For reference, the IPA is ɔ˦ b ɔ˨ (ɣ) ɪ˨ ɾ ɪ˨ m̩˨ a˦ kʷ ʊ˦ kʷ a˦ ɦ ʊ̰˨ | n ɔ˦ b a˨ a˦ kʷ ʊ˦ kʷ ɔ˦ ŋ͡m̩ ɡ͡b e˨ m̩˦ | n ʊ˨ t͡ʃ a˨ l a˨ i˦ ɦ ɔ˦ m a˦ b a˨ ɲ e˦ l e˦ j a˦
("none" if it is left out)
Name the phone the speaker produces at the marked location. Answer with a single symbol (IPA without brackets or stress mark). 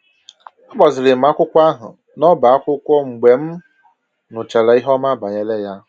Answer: z